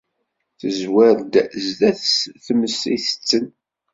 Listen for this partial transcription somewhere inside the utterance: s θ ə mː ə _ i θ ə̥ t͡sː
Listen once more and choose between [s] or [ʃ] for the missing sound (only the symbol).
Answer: s